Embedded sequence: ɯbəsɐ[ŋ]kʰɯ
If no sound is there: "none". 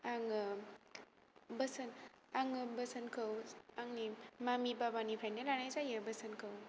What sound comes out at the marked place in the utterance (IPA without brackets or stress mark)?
n